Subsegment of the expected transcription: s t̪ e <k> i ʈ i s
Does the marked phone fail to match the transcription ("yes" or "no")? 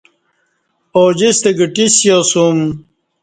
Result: yes